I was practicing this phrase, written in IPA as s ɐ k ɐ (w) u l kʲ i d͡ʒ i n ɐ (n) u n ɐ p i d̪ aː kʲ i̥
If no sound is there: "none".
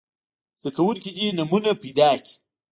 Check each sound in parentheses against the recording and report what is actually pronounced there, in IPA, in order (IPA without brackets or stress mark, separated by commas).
w, m